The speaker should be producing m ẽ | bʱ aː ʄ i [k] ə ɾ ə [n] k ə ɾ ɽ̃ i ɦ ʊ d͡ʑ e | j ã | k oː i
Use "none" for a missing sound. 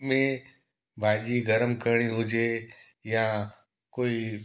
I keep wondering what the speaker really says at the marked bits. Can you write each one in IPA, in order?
ɡ, m

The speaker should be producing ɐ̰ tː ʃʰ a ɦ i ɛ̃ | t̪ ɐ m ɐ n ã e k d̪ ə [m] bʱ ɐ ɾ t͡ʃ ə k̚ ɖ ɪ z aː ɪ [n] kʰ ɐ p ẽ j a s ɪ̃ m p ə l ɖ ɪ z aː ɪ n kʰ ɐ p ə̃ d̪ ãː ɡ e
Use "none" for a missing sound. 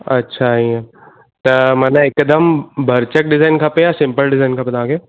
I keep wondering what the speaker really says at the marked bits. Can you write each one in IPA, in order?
m, n

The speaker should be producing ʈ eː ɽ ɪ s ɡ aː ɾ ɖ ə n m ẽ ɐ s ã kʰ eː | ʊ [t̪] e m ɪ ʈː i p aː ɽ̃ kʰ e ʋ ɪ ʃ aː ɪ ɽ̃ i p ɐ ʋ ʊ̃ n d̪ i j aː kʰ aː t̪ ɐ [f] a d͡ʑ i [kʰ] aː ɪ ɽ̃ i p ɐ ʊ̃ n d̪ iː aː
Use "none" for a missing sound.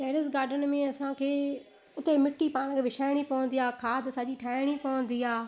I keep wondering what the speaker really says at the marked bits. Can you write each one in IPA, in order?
t̪, s, ʈʰ

